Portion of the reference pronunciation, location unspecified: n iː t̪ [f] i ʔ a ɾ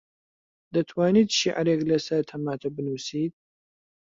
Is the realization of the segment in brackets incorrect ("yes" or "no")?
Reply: yes